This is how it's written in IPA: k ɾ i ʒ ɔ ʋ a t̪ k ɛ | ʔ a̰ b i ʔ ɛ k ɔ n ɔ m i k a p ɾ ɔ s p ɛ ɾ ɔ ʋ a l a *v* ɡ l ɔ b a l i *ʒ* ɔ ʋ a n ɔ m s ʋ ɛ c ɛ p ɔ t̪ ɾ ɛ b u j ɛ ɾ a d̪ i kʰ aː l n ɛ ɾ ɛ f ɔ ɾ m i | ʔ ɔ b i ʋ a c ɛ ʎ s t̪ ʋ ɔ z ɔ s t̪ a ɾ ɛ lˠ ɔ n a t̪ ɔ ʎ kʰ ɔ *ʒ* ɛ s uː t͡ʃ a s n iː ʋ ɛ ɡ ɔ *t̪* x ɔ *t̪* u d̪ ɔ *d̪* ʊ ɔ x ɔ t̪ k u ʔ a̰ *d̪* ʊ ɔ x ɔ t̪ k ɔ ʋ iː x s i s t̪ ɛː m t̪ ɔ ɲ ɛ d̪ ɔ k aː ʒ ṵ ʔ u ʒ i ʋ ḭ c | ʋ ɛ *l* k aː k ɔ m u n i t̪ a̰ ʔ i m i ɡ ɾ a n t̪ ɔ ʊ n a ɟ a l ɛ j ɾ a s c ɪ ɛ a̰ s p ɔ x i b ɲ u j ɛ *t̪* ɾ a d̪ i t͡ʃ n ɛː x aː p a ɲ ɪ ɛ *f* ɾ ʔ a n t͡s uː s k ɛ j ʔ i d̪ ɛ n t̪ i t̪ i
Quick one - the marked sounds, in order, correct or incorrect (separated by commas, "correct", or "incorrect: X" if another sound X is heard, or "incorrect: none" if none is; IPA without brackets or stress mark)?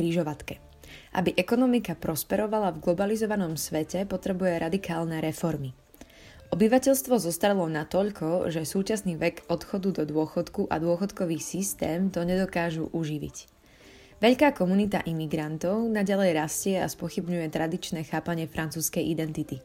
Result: correct, incorrect: z, correct, correct, incorrect: d̪, correct, correct, incorrect: ʎ, correct, correct